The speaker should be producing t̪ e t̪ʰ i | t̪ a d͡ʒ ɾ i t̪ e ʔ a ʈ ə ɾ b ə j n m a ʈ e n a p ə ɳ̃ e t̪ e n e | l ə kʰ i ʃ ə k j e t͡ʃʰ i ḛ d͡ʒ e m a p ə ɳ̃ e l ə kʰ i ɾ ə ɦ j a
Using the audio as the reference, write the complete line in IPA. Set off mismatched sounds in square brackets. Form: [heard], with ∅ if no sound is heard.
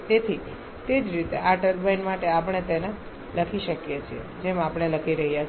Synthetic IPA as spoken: t̪ e t̪ʰ i | t̪ [e] d͡ʒ ɾ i t̪ e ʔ a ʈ ə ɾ b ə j n m a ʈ e [∅] a p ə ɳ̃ e t̪ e n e | l ə kʰ i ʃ ə k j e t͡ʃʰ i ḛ d͡ʒ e m a p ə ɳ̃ e l ə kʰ i ɾ ə ɦ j a